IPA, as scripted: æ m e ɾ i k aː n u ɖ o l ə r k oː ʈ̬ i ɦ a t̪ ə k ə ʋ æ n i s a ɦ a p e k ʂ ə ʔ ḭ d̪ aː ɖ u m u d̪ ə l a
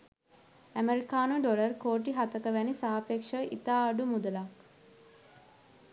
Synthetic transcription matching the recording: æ m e ɾ i k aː n u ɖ o l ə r k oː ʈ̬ i ɦ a t̪ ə k ə ʋ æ n i s a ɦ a p e k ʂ ə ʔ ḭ t̪ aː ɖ u m u d̪ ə l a